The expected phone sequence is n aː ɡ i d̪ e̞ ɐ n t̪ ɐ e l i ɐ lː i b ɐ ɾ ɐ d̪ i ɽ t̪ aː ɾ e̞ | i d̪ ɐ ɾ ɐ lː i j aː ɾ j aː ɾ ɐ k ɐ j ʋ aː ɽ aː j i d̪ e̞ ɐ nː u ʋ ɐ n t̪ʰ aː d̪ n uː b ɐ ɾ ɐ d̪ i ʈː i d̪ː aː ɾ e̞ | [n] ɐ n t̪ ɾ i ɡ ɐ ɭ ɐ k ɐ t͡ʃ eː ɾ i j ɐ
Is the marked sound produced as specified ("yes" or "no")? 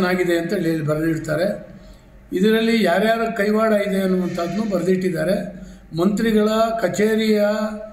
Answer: no